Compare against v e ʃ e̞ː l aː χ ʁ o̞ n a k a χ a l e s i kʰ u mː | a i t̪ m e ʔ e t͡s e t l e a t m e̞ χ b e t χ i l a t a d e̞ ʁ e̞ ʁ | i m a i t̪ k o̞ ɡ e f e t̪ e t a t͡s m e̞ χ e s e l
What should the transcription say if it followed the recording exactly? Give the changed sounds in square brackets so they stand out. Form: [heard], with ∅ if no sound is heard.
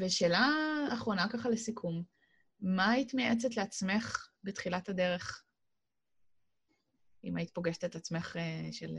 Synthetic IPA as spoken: v e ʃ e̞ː l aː χ ʁ o̞ n a k a χ a l e s i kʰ u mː | a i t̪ m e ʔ e t͡s e t l e a [t͡s] m e̞ χ b e t χ i l a t a d e̞ ʁ e̞ [χ] | i m a i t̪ [p] o̞ ɡ e [ʃ] e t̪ e t a t͡s m e̞ χ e [ʃ] e l